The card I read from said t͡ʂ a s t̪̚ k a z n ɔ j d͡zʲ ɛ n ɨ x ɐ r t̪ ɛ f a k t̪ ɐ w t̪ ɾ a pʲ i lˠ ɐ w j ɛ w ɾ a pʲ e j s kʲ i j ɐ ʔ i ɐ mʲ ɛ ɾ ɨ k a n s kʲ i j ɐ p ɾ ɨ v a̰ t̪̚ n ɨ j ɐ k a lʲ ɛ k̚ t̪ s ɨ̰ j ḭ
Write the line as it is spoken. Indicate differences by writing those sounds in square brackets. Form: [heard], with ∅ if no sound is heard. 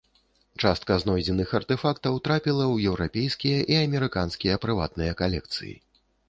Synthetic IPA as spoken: t͡ʂ a s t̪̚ k [ɐ] z n ɔ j d͡zʲ ɛ n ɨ x ɐ r t̪ ɛ f a k t̪ ɐ w t̪ ɾ a pʲ i lˠ ɐ w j ɛ w ɾ a pʲ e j s kʲ i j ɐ ʔ i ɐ mʲ ɛ ɾ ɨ k a n s kʲ i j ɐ p ɾ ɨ v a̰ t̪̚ n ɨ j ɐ k a lʲ ɛ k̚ t̪ s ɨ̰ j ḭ